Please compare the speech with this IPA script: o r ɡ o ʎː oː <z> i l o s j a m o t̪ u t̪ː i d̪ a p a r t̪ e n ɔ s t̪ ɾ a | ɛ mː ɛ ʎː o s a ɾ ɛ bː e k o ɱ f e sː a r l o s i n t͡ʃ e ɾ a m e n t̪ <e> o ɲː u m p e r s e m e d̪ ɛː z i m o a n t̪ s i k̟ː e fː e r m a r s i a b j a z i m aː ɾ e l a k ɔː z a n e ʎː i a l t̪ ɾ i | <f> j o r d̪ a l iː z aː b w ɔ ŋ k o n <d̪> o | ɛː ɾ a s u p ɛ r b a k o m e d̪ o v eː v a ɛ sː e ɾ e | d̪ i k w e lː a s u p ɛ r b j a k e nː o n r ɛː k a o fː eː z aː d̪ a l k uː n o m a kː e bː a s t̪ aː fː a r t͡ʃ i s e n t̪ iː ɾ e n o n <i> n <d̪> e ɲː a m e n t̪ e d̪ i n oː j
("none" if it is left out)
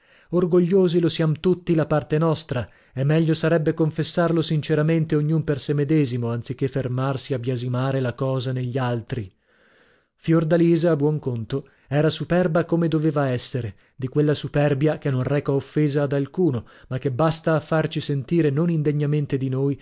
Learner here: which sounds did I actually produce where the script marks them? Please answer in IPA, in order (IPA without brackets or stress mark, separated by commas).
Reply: z, e, f, t̪, i, d̪